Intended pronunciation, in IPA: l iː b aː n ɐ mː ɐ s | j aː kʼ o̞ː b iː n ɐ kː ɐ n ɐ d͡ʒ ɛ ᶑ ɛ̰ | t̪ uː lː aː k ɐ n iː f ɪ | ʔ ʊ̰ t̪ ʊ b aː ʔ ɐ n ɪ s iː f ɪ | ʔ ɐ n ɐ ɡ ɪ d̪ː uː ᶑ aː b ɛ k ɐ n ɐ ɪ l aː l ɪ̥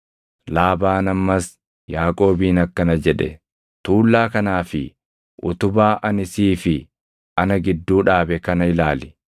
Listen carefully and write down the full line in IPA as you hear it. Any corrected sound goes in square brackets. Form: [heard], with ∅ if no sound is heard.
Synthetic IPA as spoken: l [aː] b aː n ɐ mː ɐ s | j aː kʼ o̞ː b iː n ɐ kː ɐ n ɐ d͡ʒ ɛ ᶑ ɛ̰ | t̪ uː lː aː k ɐ n [aː] f ɪ | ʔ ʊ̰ t̪ ʊ b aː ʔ ɐ n ɪ s iː f ɪ | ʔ ɐ n ɐ ɡ ɪ d̪ː uː ᶑ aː b ɛ k ɐ n ɐ ɪ l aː l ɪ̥

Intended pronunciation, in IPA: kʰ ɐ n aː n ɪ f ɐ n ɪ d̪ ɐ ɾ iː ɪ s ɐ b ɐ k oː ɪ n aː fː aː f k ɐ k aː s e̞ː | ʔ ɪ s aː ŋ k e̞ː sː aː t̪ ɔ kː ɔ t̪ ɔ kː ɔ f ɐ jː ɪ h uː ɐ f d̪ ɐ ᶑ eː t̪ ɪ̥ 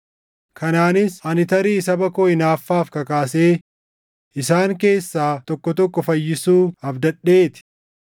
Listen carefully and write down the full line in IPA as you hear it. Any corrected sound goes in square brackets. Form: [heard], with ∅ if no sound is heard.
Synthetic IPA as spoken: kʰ ɐ n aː n ɪ [s] ɐ n ɪ [t̪] ɐ ɾ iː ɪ s ɐ b ɐ k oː ɪ n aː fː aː f k ɐ k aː s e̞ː | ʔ ɪ s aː ŋ k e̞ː sː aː t̪ ɔ kː ɔ t̪ ɔ kː ɔ f ɐ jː ɪ [s] uː ɐ f d̪ ɐ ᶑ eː t̪ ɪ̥

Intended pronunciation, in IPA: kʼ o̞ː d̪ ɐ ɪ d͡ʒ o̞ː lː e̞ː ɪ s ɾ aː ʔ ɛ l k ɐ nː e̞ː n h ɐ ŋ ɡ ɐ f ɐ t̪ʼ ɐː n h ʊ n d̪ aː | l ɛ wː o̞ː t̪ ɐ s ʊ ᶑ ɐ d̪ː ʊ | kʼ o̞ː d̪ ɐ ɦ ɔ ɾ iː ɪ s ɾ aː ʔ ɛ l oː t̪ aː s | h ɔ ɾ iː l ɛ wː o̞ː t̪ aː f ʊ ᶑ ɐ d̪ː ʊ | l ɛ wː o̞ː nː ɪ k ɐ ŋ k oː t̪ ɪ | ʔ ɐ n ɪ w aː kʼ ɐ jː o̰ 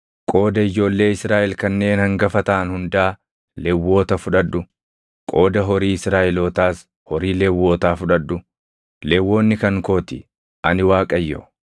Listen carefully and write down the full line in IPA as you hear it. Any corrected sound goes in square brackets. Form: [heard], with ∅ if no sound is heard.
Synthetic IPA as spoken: kʼ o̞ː d̪ ɐ ɪ d͡ʒ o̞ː lː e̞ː ɪ s ɾ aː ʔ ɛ l k ɐ nː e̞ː n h ɐ ŋ ɡ ɐ f ɐ [t̪] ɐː n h ʊ n d̪ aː | l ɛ wː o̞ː t̪ ɐ [f] ʊ ᶑ ɐ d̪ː ʊ | kʼ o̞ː d̪ ɐ ɦ ɔ ɾ iː ɪ s ɾ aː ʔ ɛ l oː t̪ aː s | h ɔ ɾ iː l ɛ wː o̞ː t̪ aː f ʊ ᶑ ɐ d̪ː ʊ | l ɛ wː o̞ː nː ɪ k ɐ ŋ k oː t̪ ɪ | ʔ ɐ n ɪ w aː kʼ ɐ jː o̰

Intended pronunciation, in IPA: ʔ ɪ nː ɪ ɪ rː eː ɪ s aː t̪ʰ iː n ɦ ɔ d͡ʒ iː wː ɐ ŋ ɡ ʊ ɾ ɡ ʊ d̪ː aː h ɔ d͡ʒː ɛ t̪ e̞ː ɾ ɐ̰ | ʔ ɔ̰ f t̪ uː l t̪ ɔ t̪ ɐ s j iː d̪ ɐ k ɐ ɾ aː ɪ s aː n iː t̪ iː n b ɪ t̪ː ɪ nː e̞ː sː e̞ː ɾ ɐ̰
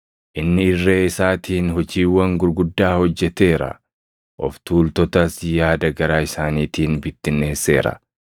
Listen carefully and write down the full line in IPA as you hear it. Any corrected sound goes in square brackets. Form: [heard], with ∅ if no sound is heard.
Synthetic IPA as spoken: ʔ ɪ nː ɪ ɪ rː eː ɪ s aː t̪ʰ iː n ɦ ɔ d͡ʒ iː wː ɐ ŋ ɡ ʊ ɾ ɡ ʊ d̪ː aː h ɔ d͡ʒː ɛ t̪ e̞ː ɾ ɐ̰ | ʔ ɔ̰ f t̪ uː l t̪ ɔ t̪ ɐ s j [aː] d̪ ɐ [ɡ] ɐ ɾ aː ɪ s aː n iː t̪ iː n b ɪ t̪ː ɪ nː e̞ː sː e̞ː ɾ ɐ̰

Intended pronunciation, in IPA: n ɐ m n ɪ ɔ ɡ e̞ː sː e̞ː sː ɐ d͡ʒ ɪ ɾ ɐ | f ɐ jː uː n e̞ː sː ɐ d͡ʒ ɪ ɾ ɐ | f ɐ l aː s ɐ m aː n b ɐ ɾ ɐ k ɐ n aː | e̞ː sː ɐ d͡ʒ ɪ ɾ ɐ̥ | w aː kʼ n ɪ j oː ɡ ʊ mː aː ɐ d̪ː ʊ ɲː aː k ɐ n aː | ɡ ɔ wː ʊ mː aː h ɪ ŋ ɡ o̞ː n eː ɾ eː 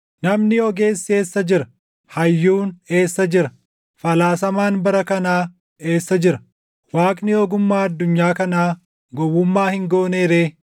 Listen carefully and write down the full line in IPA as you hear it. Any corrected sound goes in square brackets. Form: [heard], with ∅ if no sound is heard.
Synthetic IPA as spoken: n ɐ m n ɪ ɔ ɡ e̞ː sː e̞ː sː ɐ d͡ʒ ɪ ɾ ɐ | [h] ɐ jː uː n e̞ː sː ɐ d͡ʒ ɪ ɾ ɐ | f ɐ l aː s ɐ m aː n b ɐ ɾ ɐ k ɐ n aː | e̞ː sː ɐ d͡ʒ ɪ ɾ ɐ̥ | w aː kʼ n ɪ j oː ɡ ʊ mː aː ɐ d̪ː ʊ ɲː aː k ɐ n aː | ɡ ɔ wː ʊ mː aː h ɪ ŋ ɡ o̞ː n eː ɾ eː

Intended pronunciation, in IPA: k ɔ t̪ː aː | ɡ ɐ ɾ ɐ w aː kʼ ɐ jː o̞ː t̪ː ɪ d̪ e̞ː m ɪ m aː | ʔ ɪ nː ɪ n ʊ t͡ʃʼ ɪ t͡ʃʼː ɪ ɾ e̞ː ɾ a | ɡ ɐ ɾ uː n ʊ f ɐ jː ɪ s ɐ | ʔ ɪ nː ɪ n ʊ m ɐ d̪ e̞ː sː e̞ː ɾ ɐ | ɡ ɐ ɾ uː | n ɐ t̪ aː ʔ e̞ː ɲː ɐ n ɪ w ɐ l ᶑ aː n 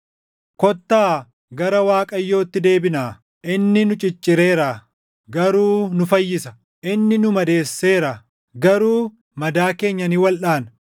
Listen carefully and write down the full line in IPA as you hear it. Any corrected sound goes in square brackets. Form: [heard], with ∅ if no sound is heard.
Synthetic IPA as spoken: k ɔ t̪ː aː | ɡ ɐ ɾ ɐ w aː kʼ ɐ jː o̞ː t̪ː ɪ d̪ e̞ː [b] ɪ [n] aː | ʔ ɪ nː ɪ n ʊ t͡ʃʼ ɪ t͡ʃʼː ɪ ɾ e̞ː ɾ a | ɡ ɐ ɾ uː n ʊ f ɐ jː ɪ s ɐ | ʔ ɪ nː ɪ n ʊ m ɐ d̪ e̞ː sː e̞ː ɾ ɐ | ɡ ɐ ɾ uː | [m] ɐ [d̪] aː [k] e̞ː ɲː ɐ n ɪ w ɐ l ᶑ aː n

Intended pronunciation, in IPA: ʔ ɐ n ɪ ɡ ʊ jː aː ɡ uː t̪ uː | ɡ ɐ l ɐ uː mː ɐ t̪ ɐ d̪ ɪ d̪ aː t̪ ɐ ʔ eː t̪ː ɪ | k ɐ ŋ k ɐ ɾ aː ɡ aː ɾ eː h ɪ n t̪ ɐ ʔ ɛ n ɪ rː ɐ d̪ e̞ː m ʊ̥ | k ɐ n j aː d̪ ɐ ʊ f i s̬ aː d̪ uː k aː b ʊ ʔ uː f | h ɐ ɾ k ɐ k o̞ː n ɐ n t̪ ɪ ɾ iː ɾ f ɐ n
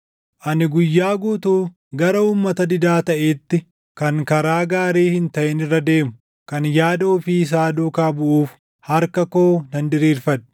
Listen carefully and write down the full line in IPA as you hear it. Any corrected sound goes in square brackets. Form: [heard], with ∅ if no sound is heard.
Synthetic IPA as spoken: ʔ ɐ n ɪ ɡ ʊ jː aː ɡ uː t̪ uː | ɡ ɐ [ɾ] ɐ uː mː ɐ t̪ ɐ d̪ ɪ d̪ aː t̪ ɐ ʔ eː t̪ː ɪ | k ɐ ŋ k ɐ ɾ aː ɡ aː ɾ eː h ɪ n t̪ ɐ ʔ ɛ n ɪ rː ɐ d̪ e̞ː m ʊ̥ | k ɐ n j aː d̪ ɐ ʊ f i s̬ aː d̪ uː k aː b ʊ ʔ uː f | h ɐ ɾ k ɐ k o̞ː n ɐ n [d̪] ɪ ɾ iː ɾ f ɐ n

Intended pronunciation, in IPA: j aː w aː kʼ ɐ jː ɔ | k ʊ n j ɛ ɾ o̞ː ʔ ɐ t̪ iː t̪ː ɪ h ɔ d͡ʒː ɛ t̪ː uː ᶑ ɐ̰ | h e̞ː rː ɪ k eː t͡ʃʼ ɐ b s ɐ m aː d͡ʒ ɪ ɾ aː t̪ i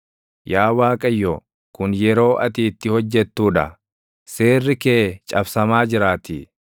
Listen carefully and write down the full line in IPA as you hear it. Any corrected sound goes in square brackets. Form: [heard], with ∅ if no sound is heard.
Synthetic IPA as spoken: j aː w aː kʼ ɐ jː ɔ | k ʊ n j ɛ ɾ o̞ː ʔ ɐ t̪ iː t̪ː ɪ h ɔ d͡ʒː ɛ t̪ː uː ᶑ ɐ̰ | [s] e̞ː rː ɪ k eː t͡ʃʼ ɐ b s ɐ m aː d͡ʒ ɪ ɾ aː t̪ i

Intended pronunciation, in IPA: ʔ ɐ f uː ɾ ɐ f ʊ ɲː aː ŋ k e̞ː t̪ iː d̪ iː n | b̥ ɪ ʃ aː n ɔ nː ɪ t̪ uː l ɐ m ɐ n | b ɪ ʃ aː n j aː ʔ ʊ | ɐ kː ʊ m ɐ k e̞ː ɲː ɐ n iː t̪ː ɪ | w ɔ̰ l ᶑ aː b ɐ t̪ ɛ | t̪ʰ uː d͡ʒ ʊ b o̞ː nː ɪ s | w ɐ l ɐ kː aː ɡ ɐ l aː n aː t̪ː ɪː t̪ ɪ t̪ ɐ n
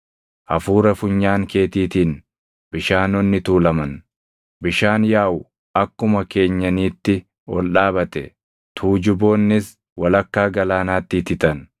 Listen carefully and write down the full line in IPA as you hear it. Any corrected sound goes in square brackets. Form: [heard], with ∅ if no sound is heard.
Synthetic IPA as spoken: ʔ ɐ f uː ɾ ɐ f ʊ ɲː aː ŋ k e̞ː t̪ iː [t̪] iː n | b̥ ɪ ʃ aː n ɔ nː ɪ t̪ uː l ɐ m ɐ n | b ɪ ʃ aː n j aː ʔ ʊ | ɐ kː ʊ m ɐ k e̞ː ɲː ɐ n iː t̪ː ɪ | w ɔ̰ l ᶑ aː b ɐ t̪ ɛ | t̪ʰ uː d͡ʒ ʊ b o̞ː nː ɪ s | w ɐ l ɐ kː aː ɡ ɐ l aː n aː t̪ː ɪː t̪ ɪ t̪ ɐ n

